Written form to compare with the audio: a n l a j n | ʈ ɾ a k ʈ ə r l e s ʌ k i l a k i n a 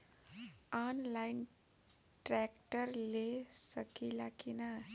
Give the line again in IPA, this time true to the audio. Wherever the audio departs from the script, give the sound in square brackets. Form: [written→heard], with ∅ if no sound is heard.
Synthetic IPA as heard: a n l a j n | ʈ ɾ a k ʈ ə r l e s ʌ k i l a k i n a